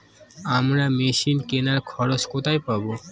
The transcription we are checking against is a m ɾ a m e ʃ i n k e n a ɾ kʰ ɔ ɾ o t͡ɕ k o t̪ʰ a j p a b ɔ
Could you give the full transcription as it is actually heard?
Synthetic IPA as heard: a m ɾ a m e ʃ i n k e n a ɾ kʰ ɔ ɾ o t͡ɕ k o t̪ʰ a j p a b o